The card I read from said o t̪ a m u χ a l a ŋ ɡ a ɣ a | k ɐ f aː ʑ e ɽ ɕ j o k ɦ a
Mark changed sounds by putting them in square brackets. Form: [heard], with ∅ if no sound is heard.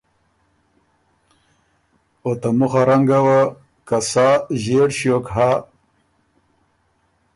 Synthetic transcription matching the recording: o t̪ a m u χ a [ɾ] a ŋ ɡ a [w] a | k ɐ [s] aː ʑ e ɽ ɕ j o k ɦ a